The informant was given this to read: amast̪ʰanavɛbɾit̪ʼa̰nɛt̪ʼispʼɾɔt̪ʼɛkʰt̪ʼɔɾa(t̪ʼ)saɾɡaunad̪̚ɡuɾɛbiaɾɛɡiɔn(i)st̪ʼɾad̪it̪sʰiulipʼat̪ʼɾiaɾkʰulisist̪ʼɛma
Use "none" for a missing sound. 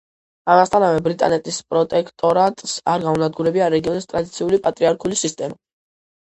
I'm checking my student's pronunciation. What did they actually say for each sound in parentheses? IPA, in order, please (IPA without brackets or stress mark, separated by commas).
t̪ʼ, i